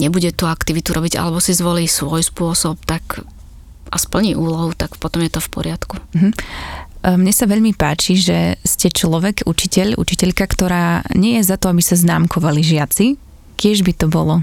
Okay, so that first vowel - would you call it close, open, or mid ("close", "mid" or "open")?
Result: mid